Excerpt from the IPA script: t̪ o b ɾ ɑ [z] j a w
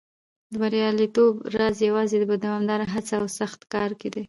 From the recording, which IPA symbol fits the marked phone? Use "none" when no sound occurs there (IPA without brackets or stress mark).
z